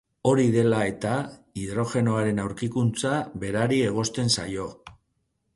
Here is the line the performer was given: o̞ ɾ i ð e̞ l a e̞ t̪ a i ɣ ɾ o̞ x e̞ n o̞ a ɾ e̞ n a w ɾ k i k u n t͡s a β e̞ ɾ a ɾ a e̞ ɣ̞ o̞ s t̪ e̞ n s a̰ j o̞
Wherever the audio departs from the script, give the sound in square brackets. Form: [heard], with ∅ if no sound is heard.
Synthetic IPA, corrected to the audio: o̞ ɾ i ð e̞ l a e̞ t̪ a i [ð] ɾ o̞ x e̞ n o̞ a ɾ e̞ n a w ɾ k i k u n t͡s a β e̞ ɾ a ɾ [i] e̞ ɣ̞ o̞ s t̪ e̞ n s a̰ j o̞